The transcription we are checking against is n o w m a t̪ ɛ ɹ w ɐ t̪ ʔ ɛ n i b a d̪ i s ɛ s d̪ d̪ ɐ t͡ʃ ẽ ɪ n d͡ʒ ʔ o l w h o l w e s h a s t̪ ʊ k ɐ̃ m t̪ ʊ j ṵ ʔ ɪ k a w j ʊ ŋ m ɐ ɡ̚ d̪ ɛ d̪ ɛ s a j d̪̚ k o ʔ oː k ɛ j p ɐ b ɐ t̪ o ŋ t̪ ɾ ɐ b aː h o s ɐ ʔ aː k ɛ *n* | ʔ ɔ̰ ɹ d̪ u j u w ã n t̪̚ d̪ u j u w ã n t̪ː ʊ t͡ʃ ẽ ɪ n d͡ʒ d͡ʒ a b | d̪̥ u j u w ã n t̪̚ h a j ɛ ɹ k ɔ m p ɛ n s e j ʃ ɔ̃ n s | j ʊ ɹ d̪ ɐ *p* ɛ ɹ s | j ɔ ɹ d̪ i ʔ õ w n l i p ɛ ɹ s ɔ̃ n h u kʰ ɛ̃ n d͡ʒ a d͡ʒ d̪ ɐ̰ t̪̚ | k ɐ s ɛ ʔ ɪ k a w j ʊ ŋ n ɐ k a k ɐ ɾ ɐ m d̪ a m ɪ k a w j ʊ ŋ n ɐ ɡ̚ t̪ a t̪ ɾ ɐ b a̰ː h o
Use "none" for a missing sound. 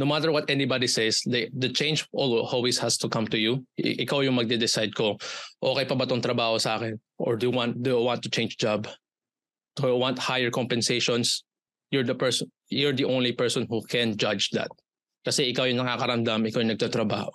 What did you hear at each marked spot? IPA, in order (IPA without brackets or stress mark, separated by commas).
n, p